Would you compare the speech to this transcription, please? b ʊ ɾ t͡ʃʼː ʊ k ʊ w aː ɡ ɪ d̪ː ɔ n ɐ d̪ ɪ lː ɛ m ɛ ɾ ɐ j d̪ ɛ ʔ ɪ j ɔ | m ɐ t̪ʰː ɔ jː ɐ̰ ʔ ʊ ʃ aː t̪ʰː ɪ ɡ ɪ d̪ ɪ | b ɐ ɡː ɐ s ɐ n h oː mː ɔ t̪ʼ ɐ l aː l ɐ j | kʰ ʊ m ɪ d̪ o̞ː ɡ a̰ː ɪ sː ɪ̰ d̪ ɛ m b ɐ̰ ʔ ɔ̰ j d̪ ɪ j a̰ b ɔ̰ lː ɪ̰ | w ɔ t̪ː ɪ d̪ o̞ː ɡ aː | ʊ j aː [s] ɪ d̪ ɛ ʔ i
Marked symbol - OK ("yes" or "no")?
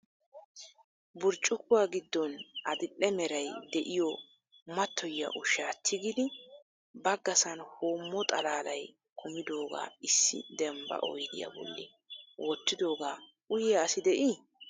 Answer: yes